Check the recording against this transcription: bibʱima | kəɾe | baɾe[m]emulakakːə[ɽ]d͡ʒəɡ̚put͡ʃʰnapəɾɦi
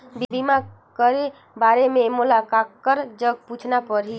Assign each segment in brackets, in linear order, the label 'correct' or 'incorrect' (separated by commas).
correct, incorrect